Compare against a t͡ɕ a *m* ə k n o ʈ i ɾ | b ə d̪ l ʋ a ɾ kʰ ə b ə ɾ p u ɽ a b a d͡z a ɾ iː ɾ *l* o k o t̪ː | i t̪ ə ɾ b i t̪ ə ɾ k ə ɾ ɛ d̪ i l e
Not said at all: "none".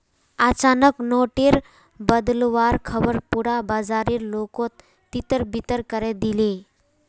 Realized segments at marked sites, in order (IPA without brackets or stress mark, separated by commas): n, l